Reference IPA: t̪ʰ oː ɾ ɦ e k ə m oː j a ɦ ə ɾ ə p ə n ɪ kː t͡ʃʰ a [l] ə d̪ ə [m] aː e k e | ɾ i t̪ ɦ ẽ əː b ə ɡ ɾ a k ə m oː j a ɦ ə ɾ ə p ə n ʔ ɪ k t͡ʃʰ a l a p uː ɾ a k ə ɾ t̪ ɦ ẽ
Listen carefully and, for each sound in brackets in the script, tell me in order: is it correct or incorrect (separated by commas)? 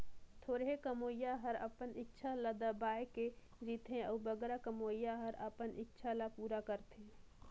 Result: correct, incorrect